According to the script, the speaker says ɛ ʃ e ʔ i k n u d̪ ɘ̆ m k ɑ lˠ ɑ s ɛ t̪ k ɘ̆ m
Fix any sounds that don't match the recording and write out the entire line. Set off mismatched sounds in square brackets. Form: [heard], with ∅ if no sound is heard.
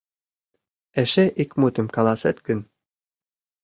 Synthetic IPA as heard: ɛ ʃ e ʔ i k [m] u [t̪] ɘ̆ m k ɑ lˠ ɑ s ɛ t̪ k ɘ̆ [n]